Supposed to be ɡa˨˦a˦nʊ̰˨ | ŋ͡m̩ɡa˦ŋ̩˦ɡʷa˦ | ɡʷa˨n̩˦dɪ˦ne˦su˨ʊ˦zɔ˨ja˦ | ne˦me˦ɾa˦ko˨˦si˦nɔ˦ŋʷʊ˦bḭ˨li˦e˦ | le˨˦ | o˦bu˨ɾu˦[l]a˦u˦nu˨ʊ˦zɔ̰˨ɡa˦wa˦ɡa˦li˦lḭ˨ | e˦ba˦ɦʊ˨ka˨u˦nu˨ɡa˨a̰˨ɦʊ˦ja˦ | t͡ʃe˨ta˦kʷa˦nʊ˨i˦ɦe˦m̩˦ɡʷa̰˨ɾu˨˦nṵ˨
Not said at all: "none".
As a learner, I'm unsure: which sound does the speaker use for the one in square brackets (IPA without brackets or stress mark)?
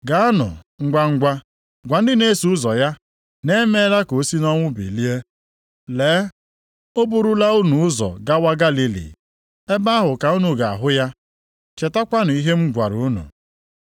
l